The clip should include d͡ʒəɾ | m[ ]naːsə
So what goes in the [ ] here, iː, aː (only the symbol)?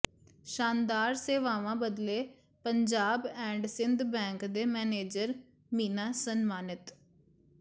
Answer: iː